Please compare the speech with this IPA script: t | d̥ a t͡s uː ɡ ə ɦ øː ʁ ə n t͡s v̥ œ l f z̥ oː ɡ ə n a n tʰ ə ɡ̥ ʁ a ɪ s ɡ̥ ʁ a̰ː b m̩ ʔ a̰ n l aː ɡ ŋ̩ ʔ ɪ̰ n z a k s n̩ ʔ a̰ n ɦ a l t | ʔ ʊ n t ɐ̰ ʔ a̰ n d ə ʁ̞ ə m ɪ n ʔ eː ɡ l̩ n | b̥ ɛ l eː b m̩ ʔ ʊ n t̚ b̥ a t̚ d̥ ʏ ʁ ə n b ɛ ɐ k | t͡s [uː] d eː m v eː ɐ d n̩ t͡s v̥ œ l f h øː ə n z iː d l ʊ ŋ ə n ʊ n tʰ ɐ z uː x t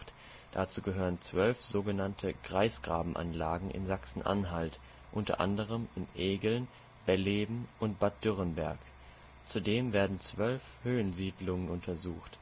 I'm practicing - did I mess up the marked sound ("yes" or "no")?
yes